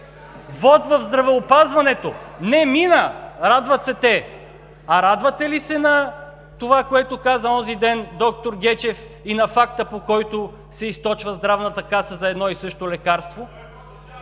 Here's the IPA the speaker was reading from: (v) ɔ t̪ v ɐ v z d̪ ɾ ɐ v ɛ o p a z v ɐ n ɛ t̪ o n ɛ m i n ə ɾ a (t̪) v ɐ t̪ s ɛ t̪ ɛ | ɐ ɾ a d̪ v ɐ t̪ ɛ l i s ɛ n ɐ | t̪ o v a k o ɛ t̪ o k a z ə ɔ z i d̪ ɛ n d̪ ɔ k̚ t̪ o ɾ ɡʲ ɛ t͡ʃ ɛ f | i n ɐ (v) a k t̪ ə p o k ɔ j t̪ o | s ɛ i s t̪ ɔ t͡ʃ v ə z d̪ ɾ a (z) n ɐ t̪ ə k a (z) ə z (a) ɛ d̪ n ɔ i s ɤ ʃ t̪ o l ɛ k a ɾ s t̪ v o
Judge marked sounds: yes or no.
yes, no, no, no, no, no

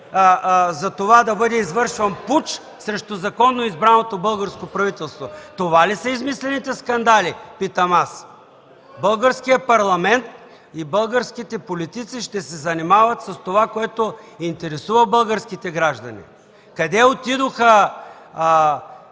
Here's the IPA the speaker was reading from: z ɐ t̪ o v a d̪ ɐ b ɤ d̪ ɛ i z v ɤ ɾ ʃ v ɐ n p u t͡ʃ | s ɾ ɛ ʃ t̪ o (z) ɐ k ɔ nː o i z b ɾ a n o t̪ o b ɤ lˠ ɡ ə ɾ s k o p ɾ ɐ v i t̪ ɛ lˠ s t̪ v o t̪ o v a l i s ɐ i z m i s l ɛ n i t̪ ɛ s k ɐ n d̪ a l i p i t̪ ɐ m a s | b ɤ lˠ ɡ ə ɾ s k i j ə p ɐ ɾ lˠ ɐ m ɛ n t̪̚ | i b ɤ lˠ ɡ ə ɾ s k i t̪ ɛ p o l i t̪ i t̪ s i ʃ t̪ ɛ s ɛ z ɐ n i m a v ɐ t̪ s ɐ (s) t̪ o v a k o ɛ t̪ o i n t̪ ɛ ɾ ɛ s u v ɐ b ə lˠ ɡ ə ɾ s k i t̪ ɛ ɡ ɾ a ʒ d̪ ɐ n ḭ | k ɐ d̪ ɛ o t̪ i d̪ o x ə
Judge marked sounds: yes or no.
yes, yes

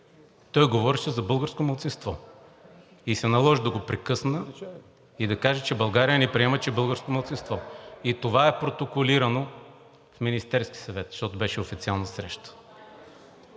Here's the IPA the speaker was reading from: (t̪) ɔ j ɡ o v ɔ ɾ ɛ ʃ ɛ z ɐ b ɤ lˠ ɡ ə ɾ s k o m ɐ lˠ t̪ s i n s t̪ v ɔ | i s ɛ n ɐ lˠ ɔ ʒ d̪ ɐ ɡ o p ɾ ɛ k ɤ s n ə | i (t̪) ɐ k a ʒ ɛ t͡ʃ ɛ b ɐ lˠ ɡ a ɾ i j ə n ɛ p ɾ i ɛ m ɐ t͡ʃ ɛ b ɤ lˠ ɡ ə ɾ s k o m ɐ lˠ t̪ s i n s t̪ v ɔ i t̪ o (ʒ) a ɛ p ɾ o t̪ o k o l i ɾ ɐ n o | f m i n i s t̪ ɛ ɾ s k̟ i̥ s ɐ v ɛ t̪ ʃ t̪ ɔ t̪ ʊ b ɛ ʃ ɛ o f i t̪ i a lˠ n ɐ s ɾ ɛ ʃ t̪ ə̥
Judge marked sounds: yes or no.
yes, no, no

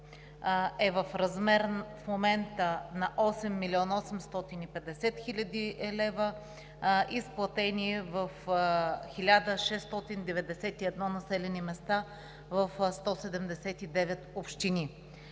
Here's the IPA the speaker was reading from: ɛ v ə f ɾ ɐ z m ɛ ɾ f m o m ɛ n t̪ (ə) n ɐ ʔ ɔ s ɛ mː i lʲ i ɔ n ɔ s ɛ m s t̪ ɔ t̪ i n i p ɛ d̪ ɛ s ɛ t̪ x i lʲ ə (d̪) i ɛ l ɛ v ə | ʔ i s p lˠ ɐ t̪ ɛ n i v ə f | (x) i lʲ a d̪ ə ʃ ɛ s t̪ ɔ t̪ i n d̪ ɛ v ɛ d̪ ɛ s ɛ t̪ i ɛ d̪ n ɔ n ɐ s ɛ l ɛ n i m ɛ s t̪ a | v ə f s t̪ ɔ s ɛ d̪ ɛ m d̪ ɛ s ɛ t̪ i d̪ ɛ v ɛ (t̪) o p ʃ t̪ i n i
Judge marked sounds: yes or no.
yes, yes, yes, yes

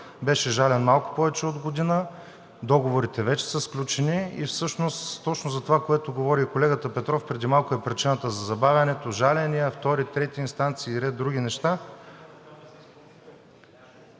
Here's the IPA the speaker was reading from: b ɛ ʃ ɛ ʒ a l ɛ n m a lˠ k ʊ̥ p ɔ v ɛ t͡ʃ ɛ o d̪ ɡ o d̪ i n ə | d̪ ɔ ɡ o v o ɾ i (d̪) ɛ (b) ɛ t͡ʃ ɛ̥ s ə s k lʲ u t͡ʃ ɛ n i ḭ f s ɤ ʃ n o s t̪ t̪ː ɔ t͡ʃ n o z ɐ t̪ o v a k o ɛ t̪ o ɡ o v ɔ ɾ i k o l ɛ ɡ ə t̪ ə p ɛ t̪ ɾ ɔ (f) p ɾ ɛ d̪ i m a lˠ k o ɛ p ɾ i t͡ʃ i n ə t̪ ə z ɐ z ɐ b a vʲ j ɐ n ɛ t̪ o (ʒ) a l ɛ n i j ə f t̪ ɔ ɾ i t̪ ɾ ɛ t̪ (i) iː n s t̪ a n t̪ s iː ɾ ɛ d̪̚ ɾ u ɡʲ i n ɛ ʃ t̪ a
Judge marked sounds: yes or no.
no, no, yes, yes, yes

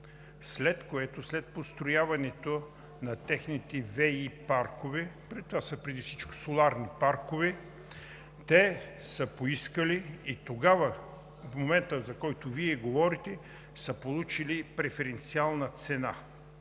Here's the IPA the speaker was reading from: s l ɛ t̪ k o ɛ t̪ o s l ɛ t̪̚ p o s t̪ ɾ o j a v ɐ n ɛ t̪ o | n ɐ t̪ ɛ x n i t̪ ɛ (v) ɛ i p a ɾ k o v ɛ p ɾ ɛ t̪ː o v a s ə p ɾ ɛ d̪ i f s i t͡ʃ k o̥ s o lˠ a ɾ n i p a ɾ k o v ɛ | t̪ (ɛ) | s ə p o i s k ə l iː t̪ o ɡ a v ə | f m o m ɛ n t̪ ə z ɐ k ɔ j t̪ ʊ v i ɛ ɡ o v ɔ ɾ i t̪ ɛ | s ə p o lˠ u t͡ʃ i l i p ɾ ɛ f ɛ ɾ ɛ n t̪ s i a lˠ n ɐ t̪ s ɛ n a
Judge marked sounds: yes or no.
yes, yes

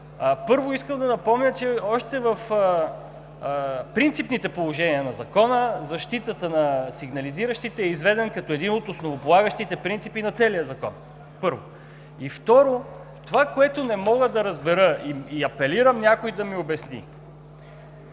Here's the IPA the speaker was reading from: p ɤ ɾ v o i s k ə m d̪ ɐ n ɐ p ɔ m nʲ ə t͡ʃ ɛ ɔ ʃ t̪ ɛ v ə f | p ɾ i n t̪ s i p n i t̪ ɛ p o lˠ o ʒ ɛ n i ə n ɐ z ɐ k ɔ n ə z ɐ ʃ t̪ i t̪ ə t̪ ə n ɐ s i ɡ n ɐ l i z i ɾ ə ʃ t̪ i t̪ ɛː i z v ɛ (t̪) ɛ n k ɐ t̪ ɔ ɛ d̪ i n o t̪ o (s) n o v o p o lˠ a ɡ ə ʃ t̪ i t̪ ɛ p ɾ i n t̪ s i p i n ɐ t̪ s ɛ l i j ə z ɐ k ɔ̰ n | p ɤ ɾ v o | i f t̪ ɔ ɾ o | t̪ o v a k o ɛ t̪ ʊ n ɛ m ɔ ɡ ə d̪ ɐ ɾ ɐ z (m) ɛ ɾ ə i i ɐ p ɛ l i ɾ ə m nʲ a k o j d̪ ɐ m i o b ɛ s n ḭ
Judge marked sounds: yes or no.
no, yes, no

